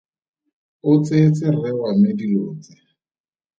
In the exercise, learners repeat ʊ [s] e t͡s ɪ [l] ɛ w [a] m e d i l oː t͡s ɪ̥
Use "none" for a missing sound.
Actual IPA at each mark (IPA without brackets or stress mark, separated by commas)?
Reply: t͡s, r, a